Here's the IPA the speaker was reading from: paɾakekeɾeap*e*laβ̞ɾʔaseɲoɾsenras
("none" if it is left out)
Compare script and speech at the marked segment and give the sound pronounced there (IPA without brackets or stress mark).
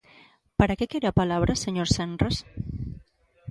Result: a